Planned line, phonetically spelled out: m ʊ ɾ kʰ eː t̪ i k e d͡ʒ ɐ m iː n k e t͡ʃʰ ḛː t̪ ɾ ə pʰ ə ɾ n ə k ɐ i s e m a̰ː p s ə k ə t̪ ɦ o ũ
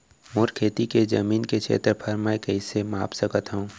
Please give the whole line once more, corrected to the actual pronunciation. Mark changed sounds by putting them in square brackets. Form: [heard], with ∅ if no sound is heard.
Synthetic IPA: m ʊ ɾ kʰ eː t̪ i k e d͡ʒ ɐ m iː n k e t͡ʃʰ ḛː t̪ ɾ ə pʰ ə ɾ [m] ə k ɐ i s e m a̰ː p s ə k ə t̪ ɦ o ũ